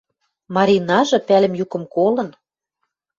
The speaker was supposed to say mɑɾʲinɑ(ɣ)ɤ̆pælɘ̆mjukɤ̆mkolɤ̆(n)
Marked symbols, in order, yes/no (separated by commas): no, yes